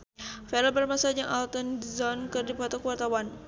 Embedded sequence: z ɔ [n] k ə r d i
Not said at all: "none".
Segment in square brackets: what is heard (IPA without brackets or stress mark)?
n